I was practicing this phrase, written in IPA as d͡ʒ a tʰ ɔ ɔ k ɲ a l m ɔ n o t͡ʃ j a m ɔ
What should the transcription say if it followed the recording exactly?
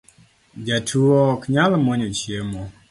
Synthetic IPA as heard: d͡ʒ a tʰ u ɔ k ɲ a l m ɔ ɲ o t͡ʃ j e m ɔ